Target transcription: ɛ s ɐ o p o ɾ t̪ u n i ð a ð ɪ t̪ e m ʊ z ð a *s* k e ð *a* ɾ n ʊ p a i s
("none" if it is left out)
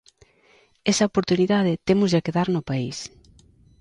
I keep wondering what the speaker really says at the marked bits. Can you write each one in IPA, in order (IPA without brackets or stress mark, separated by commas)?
none, a